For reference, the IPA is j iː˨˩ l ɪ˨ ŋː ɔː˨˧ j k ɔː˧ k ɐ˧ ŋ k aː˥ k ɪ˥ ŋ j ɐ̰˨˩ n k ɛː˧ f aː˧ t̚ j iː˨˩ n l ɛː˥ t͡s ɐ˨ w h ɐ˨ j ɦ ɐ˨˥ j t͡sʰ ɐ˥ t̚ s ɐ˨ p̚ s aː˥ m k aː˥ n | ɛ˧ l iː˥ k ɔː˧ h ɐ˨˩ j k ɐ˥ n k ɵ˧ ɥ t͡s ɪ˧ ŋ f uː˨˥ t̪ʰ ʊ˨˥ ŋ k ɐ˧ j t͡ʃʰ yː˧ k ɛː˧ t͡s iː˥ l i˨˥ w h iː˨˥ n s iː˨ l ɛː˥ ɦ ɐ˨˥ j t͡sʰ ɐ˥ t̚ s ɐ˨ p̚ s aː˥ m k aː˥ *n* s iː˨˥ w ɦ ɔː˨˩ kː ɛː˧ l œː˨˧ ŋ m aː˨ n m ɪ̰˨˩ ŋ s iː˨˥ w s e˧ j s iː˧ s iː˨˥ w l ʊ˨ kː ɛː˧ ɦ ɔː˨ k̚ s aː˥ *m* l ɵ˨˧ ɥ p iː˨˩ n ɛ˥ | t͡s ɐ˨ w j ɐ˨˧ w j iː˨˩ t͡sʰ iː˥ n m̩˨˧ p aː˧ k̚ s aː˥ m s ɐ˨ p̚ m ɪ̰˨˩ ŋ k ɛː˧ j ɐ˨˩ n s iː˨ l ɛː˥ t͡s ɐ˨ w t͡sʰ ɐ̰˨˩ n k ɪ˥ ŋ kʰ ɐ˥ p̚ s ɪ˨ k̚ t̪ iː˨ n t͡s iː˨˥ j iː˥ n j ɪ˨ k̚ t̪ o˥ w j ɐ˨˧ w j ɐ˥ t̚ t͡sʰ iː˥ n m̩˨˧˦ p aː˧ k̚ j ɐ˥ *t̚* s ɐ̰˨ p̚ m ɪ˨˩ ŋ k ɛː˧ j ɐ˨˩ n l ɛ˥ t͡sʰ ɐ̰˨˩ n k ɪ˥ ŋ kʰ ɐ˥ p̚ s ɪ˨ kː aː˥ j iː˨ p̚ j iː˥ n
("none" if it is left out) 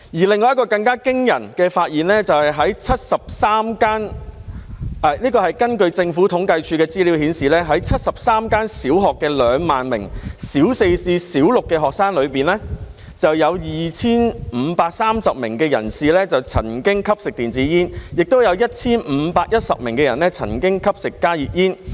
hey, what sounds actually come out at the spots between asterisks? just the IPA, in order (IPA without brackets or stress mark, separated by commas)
n, ŋ, t̚